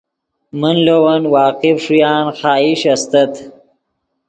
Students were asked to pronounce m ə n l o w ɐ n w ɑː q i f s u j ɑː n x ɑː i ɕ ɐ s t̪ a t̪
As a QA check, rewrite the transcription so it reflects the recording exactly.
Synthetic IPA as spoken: m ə n l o w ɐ n w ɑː q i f ʂ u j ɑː n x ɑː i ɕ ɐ s t̪ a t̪